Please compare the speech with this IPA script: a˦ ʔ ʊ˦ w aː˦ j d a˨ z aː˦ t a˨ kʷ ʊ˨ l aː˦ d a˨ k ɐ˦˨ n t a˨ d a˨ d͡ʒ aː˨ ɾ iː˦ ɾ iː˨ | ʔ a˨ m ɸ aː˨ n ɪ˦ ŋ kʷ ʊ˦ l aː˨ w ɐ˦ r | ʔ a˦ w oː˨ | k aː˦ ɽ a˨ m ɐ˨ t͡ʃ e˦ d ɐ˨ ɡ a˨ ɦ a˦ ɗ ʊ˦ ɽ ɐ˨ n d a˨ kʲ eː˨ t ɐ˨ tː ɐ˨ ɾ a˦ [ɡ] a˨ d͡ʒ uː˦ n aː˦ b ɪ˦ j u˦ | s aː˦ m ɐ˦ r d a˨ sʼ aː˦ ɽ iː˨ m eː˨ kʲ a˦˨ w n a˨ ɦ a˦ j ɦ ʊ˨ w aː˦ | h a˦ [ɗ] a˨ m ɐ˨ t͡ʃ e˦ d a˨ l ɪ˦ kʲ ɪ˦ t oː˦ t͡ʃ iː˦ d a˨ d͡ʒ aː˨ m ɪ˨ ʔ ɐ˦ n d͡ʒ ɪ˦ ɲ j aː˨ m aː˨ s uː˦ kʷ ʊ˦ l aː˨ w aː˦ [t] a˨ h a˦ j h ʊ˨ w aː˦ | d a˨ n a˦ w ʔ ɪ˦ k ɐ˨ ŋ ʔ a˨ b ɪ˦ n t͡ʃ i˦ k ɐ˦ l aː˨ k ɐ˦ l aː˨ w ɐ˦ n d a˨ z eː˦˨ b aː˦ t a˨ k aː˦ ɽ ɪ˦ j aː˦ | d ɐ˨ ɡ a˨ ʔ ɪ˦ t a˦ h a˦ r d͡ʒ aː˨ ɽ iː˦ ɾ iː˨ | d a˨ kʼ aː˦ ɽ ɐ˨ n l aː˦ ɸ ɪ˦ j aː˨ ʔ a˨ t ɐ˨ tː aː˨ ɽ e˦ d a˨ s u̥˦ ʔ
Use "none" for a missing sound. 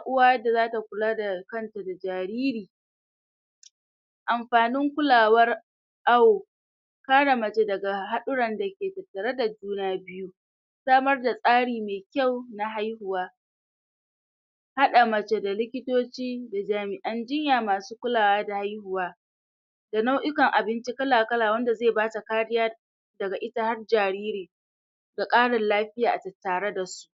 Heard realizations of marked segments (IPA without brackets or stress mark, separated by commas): d, ɗ, d